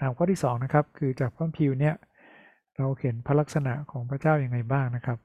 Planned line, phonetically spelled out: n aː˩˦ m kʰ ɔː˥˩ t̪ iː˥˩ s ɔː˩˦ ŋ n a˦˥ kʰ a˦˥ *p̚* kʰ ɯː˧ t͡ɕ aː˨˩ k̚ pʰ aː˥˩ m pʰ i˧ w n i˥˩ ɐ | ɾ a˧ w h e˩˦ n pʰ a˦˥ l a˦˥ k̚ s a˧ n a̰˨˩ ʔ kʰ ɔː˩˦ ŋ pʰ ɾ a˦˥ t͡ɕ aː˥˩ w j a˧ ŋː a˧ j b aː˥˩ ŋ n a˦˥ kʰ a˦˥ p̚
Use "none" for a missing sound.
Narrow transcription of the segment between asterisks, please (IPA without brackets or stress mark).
p̚